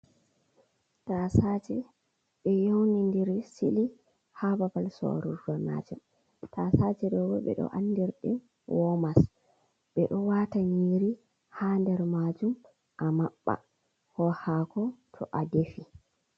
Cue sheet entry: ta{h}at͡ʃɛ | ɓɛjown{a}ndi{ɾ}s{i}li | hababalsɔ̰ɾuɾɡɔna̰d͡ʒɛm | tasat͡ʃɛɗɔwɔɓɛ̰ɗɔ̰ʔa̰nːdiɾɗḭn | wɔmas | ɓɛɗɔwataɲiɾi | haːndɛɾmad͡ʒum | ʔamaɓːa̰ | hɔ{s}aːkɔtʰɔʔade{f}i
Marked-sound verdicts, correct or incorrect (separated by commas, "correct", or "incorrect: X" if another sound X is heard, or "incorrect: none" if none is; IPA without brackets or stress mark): incorrect: s, incorrect: i, correct, correct, incorrect: h, correct